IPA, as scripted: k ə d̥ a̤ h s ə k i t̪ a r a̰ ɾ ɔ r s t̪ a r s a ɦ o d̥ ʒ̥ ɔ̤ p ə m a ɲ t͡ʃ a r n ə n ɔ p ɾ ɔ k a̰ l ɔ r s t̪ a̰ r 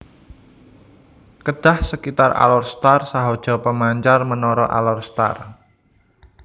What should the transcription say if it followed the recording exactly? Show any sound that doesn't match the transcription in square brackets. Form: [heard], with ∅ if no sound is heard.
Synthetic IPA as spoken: k ə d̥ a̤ h s ə k i t̪ a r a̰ [l] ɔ r s t̪ a r s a ɦ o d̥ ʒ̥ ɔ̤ p ə m a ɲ t͡ʃ a r [m] ə n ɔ [∅] ɾ ɔ [ʔ] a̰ l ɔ r s t̪ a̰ r